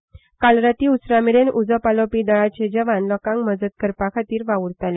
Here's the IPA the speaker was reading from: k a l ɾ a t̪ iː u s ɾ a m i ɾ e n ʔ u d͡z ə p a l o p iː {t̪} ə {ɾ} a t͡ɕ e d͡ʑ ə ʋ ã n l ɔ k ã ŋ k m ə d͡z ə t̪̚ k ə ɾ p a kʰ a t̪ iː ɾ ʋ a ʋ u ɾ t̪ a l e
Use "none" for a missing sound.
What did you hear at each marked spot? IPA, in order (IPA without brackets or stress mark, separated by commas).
d̪, ɭ